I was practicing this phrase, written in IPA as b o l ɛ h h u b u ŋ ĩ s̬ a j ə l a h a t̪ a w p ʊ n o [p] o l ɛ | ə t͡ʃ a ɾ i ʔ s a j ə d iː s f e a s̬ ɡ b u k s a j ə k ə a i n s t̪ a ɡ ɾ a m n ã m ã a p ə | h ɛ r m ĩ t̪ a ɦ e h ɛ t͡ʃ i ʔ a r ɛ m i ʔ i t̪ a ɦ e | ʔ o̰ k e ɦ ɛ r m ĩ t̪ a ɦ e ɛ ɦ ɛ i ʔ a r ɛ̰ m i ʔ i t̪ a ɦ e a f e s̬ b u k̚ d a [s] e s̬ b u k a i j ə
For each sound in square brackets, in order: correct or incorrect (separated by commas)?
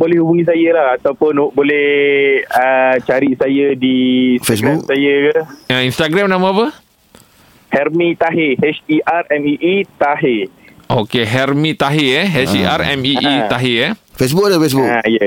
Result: incorrect, incorrect